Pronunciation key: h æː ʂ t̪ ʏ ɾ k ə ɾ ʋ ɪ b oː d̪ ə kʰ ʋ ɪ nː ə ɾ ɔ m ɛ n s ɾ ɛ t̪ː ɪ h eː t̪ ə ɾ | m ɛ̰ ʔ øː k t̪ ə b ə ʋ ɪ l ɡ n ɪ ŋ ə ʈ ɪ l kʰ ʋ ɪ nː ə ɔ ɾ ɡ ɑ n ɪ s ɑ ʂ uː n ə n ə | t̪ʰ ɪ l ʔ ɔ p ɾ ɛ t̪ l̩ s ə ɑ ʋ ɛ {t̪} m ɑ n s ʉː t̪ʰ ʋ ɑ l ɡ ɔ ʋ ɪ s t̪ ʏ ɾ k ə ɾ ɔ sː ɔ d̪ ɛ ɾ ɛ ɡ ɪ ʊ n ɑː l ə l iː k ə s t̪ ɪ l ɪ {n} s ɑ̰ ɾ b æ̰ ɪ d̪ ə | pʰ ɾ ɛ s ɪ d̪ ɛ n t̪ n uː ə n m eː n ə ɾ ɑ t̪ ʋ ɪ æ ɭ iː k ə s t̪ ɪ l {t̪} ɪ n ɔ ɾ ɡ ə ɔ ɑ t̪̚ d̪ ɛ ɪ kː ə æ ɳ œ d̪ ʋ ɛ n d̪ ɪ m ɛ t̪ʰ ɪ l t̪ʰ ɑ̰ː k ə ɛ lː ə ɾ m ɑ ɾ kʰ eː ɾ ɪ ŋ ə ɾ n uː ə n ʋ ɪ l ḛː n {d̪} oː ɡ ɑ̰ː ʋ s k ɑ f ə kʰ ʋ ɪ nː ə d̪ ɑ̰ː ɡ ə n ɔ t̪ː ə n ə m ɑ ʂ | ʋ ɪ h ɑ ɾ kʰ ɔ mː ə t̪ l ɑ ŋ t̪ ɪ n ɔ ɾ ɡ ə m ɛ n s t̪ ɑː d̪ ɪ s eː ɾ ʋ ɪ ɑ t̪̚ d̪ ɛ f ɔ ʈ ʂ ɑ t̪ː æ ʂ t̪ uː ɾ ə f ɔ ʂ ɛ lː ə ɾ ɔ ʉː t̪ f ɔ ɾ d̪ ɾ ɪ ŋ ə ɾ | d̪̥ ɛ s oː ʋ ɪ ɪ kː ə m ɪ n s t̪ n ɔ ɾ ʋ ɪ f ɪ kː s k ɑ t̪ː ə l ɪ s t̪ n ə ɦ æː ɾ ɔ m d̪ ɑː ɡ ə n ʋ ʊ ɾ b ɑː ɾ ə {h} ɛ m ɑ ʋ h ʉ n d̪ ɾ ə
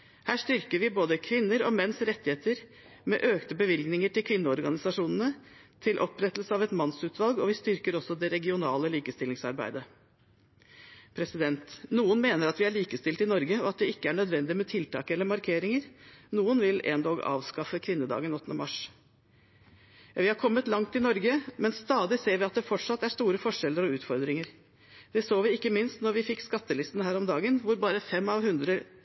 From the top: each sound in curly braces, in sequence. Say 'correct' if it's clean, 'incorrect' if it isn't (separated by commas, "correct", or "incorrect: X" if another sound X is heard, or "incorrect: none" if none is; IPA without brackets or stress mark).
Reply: correct, incorrect: ŋ, correct, correct, incorrect: f